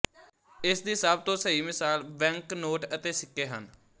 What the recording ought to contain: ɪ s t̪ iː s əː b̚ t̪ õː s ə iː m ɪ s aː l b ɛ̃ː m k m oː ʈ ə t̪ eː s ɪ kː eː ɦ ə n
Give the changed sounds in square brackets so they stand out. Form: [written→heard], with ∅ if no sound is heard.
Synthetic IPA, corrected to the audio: ɪ s [t̪→d̪] iː s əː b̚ t̪ õː s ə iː m ɪ s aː l b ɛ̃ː [m→ŋ] k [m→n] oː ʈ ə t̪ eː s ɪ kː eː ɦ ə n